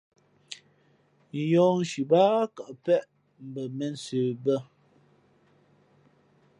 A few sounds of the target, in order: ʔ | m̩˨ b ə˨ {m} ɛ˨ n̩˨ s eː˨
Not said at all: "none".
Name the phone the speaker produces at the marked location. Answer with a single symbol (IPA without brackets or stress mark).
m